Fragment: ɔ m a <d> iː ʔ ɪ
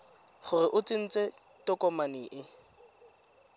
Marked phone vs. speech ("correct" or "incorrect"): incorrect